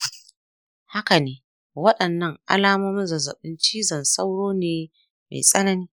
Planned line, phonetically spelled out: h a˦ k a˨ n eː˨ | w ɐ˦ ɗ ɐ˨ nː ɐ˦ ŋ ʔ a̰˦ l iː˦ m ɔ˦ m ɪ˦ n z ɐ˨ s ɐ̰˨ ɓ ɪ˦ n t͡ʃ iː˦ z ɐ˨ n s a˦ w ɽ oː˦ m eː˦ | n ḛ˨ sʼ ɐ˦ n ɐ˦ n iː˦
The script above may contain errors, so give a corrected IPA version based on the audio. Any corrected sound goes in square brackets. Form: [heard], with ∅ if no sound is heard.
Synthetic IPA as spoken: h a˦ k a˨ n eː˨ | w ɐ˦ ɗ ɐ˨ nː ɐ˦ ŋ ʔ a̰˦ l [aː˦] m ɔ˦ m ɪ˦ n z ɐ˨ [z] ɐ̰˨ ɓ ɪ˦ n t͡ʃ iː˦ z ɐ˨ n s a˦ w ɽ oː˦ [n] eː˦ | [m] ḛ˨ sʼ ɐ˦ n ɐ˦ n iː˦